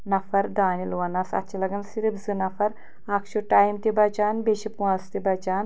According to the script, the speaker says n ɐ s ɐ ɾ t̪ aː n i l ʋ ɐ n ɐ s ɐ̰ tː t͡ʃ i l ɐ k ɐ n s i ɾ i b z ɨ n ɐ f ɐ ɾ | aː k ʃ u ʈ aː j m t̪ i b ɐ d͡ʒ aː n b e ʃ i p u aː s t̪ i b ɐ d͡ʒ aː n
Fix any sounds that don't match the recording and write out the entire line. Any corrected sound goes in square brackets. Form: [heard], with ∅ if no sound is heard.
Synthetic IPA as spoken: n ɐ [f] ɐ ɾ [d̪] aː n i l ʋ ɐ n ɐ s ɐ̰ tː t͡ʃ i l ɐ [ɡ] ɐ n s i ɾ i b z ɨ n ɐ f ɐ ɾ | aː k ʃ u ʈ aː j m t̪ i b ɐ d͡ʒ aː n b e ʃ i p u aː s t̪ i b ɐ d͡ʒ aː n